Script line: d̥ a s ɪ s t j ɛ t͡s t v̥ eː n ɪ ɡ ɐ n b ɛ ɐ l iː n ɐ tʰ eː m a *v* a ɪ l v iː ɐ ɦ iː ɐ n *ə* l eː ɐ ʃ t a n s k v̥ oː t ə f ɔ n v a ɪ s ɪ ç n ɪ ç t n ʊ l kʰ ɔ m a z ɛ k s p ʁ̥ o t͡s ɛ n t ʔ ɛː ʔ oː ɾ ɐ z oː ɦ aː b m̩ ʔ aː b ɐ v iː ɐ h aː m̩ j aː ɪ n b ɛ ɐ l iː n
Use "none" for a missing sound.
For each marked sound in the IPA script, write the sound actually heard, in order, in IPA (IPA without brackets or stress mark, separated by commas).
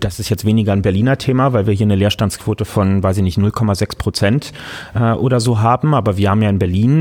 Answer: v, ə